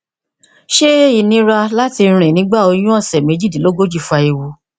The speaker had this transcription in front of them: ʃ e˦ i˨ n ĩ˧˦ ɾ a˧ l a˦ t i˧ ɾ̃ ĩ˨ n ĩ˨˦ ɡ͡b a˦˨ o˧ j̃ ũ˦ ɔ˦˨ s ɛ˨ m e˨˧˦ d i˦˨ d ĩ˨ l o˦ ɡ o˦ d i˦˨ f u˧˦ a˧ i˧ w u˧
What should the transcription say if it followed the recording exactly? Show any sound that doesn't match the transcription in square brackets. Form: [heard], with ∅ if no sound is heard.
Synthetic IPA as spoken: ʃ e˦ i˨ n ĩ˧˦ ɾ a˧ l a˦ t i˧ ɾ̃ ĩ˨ n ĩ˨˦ ɡ͡b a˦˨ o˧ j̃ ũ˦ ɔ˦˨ s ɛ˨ m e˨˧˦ [d͡ʒ] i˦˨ d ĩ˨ l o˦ ɡ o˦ [d͡ʒ] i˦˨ f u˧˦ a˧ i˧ w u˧

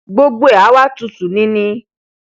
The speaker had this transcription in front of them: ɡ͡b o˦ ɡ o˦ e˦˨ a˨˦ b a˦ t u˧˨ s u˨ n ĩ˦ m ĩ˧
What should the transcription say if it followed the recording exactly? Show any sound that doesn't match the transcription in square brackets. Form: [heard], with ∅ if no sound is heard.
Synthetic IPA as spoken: ɡ͡b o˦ [ɡ͡b] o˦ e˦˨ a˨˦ [w] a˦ t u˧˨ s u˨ n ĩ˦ [n] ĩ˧

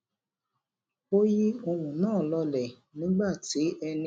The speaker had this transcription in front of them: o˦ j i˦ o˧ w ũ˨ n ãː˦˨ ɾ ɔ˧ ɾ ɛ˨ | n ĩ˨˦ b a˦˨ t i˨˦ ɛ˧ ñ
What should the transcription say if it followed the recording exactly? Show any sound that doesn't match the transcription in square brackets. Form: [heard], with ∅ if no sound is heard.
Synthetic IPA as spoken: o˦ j i˦ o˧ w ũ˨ n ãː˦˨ [l] ɔ˧ [l] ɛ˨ | n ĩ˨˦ [ɡ͡b] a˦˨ t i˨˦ ɛ˧ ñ

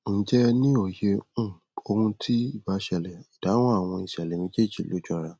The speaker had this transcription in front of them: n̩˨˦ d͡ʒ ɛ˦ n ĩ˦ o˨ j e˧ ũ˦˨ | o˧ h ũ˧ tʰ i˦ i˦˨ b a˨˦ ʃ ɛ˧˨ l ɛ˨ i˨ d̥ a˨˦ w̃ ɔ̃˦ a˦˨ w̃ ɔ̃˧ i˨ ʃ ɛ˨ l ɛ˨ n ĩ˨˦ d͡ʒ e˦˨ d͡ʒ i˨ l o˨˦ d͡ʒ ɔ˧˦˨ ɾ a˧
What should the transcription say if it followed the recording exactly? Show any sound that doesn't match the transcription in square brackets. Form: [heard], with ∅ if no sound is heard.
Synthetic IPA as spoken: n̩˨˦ d͡ʒ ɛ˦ n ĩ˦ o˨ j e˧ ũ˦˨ | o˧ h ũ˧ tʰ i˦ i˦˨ b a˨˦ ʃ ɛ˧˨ l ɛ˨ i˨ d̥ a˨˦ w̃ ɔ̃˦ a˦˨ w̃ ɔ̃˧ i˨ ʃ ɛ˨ l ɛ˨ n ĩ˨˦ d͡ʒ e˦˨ d͡ʒ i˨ l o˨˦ d͡ʒ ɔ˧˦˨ ɾ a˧

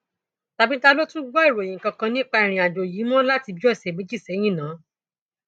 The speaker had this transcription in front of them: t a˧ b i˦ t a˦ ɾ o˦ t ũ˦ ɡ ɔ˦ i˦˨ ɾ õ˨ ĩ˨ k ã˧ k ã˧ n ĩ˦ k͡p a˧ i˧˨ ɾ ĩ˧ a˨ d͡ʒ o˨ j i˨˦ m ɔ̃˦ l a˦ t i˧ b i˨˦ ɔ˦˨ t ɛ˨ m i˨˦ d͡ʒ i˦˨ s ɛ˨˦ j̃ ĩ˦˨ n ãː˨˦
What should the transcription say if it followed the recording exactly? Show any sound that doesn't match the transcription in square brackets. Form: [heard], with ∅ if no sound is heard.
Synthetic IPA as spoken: t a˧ b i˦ t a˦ [l] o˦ t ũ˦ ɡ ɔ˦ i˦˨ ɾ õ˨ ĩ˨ k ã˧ k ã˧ n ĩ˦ k͡p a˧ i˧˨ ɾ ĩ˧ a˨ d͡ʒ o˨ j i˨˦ m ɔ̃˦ l a˦ t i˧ b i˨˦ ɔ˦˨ [s] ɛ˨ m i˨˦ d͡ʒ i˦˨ s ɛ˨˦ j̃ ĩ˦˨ n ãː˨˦

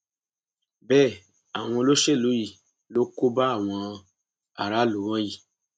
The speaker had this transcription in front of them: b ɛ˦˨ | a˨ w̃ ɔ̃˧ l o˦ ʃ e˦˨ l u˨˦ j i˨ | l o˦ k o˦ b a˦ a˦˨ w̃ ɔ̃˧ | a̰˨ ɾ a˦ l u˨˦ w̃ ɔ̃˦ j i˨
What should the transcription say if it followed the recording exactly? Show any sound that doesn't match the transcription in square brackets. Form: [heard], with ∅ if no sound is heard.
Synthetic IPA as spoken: b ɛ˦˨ | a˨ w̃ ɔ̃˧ l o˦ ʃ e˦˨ l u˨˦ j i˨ | l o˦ k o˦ b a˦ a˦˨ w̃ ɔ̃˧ | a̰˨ ɾ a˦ l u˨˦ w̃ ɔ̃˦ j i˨

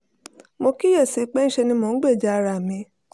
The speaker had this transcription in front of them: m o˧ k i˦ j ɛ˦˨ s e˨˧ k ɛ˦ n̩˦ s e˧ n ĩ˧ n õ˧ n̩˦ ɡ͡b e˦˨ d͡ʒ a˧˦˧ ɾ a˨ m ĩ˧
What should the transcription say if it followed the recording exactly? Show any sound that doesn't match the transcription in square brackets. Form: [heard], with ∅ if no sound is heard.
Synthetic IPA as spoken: m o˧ k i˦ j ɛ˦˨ s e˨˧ [k͡p] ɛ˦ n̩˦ [ʃ] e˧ n ĩ˧ [m] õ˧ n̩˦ ɡ͡b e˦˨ d͡ʒ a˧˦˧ ɾ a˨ m ĩ˧

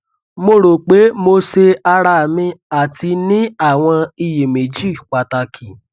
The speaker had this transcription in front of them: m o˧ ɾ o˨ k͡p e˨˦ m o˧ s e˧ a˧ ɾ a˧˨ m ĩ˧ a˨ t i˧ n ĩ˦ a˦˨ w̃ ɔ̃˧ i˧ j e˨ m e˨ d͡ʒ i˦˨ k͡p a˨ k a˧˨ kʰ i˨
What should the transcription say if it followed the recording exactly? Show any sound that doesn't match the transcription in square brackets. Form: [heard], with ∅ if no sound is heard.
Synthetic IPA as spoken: m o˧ ɾ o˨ k͡p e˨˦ m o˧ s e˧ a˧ ɾ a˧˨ m ĩ˧ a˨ t i˧ n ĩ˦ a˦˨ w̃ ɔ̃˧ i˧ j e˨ m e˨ d͡ʒ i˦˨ k͡p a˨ [t] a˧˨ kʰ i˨

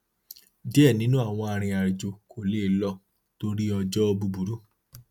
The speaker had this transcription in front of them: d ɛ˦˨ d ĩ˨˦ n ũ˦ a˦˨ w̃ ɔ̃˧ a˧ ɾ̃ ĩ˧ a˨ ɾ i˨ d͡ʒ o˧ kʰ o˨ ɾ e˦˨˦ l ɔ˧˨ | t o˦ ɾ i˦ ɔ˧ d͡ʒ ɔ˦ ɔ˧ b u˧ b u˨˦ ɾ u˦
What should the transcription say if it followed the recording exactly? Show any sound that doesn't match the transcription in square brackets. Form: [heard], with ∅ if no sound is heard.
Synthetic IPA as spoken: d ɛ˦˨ [n] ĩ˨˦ n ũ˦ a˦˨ w̃ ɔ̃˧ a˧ ɾ̃ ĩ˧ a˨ ɾ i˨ d͡ʒ o˧ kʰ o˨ [l] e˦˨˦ l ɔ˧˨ | t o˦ ɾ i˦ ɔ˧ d͡ʒ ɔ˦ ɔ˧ b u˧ b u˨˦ ɾ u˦

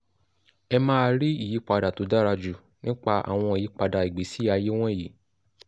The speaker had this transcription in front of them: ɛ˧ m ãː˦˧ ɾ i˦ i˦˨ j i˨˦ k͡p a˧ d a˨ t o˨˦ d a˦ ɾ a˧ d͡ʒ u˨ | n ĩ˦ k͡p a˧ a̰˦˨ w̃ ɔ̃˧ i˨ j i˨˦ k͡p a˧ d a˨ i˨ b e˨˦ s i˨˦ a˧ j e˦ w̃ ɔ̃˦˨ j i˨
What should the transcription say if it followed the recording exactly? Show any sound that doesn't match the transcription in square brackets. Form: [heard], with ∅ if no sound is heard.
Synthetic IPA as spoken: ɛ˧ m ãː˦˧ ɾ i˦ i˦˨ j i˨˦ k͡p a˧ d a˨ t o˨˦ d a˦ ɾ a˧ d͡ʒ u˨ | n ĩ˦ k͡p a˧ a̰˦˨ w̃ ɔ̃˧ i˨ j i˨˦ k͡p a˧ d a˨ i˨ [ɡ͡b] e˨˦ s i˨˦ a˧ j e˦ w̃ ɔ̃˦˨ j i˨

